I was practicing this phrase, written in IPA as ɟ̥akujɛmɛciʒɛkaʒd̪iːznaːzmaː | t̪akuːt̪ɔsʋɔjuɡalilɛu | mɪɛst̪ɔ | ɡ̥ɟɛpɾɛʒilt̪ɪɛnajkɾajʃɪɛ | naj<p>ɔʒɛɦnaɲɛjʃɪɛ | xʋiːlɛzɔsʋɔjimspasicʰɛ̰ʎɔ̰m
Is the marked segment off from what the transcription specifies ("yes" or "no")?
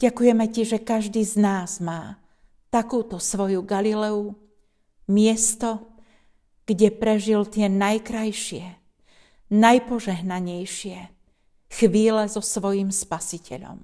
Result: no